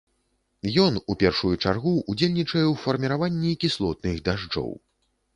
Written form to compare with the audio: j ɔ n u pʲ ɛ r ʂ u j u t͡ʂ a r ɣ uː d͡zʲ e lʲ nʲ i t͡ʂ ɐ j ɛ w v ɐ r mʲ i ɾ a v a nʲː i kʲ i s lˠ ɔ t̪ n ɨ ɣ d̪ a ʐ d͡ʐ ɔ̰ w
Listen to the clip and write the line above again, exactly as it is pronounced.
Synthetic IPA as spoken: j ɔ n u pʲ ɛ r ʂ u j u t͡ʂ a r ɣ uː d͡zʲ e lʲ nʲ i t͡ʂ ɐ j ɛ w f ɐ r mʲ i ɾ a v a nʲː i kʲ i s lˠ ɔ t̪ n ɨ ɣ d̪ a ʐ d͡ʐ ɔ̰ w